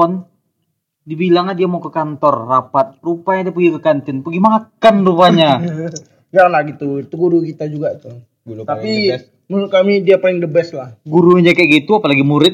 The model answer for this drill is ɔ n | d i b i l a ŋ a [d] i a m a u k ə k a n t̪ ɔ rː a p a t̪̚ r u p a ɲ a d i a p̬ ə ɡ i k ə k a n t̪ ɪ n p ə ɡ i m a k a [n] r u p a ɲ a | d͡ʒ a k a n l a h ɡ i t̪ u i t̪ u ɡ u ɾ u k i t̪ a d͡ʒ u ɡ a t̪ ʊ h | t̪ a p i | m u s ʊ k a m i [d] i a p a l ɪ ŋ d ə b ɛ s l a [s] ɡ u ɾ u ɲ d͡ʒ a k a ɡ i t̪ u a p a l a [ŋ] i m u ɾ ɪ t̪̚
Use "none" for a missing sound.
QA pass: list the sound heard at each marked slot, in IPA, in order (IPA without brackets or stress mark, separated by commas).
d, n, d, h, ɡ